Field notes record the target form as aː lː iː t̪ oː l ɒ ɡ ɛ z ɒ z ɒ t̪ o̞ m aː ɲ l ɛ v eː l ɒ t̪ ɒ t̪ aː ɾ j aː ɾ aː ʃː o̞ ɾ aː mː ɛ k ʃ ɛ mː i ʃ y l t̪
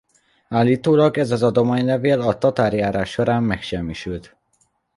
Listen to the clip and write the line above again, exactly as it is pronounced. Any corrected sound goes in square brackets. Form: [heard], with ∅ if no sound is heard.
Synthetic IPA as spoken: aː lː iː t̪ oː l ɒ ɡ ɛ z ɒ z ɒ [d̪] o̞ m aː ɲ l ɛ v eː l ɒ t̪ ɒ t̪ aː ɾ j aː ɾ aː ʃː o̞ ɾ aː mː ɛ k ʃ ɛ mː i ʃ y l t̪

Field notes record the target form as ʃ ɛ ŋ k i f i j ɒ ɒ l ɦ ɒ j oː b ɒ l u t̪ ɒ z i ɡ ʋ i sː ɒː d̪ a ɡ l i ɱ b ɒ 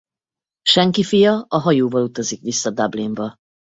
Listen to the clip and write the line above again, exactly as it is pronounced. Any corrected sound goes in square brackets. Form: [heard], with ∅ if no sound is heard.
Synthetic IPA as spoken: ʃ ɛ ŋ k i f i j ɒ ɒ [∅] ɦ ɒ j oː [v] ɒ l u t̪ ɒ z i [k] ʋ i sː [ɒ] d̪ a [b] l i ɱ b ɒ

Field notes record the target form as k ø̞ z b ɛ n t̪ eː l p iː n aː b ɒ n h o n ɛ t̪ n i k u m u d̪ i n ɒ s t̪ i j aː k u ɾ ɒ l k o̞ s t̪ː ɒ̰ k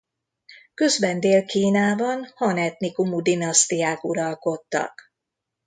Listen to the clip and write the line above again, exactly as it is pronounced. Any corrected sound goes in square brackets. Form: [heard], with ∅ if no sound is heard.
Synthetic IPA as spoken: k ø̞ z b ɛ n [d̪] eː l [k] iː n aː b ɒ n h [ɒ] n ɛ t̪ n i k u m u d̪ i n ɒ s t̪ i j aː k u ɾ ɒ l k o̞ [∅] t̪ː ɒ̰ k

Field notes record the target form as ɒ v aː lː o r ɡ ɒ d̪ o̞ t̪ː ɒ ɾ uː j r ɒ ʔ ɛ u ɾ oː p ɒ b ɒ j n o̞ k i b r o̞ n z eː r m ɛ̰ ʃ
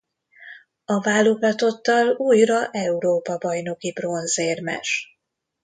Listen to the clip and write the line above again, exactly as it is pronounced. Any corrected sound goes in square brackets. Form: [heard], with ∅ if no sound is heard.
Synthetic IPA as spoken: ɒ v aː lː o [∅] ɡ ɒ [t̪] o̞ t̪ː ɒ [l] uː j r ɒ ʔ ɛ u ɾ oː p ɒ b ɒ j n o̞ k i b r o̞ n z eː r m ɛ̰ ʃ

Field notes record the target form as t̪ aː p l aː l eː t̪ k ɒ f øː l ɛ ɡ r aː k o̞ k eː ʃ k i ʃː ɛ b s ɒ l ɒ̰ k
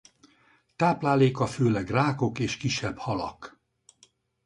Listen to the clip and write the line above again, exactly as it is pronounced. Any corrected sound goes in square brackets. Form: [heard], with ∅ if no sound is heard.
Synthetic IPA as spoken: t̪ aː p l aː l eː [∅] k ɒ f øː l ɛ ɡ r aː k o̞ k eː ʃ k i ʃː ɛ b [h] ɒ l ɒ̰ k

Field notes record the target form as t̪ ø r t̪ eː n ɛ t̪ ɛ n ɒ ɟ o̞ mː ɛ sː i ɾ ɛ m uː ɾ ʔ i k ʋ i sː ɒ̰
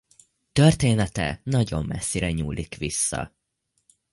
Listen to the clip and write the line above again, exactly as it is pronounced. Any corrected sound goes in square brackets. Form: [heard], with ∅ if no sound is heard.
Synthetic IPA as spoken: t̪ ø r t̪ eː n ɛ t̪ ɛ n ɒ ɟ o̞ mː ɛ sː i ɾ ɛ [ɲ] uː [l] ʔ i k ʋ i sː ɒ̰

